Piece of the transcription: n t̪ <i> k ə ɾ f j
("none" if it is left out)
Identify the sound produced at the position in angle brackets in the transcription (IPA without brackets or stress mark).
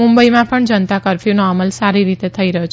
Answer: a